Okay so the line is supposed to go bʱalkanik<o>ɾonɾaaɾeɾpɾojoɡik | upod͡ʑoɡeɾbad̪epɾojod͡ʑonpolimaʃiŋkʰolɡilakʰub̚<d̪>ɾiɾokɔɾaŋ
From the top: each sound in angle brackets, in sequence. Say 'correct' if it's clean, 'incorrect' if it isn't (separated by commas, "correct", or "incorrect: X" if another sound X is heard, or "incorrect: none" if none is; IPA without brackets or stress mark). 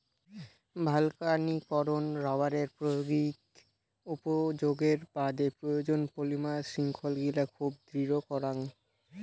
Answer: incorrect: ɔ, correct